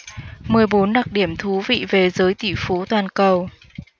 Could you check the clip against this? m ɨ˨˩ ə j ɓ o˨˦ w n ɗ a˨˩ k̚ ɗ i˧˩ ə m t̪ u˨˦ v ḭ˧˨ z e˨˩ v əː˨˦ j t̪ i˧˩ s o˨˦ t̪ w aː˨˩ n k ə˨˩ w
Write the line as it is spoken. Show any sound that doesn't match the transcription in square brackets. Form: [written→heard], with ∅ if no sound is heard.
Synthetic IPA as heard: m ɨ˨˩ ə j ɓ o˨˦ [w→∅] n ɗ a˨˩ k̚ ɗ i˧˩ ə m [t̪→t̪ʰ] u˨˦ v ḭ˧˨ [z→v] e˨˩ [v→z] əː˨˦ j t̪ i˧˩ [s→f] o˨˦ t̪ w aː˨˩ n k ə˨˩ w